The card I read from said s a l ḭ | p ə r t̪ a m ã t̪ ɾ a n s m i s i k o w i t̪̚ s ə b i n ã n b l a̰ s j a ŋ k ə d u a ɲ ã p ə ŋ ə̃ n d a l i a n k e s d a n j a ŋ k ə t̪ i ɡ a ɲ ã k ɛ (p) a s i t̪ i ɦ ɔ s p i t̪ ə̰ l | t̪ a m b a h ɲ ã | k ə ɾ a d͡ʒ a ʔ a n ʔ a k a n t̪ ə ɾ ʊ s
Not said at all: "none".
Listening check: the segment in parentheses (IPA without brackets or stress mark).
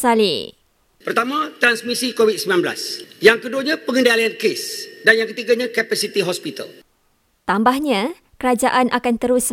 p